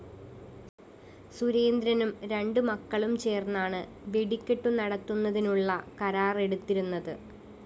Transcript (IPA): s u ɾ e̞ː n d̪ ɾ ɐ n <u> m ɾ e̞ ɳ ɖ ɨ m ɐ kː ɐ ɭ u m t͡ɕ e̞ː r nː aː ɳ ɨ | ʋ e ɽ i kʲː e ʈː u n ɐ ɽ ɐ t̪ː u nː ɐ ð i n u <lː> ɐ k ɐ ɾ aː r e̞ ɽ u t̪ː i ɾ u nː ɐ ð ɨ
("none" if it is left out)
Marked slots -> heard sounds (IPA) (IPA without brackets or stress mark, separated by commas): u, ɭː